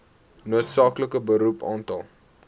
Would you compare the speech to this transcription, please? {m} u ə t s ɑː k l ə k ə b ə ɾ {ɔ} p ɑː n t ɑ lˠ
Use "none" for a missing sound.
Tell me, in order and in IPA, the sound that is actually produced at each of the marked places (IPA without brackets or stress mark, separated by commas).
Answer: n, u